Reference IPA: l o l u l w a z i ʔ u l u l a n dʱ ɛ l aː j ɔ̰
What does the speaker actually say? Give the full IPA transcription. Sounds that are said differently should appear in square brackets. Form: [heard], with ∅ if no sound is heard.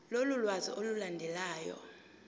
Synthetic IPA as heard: l o l u l w a z i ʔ [o] l u l a n dʱ ɛ l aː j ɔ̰